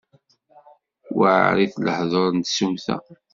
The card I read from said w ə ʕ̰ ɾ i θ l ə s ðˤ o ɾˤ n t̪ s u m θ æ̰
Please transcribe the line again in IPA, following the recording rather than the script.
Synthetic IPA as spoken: w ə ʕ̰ ɾ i θ l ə ħ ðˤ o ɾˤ n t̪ s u m θ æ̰